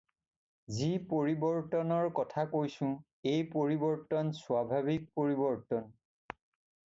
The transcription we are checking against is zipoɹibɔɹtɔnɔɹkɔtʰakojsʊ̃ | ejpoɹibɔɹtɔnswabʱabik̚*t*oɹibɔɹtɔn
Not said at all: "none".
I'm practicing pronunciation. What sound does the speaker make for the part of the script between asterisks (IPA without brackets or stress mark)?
p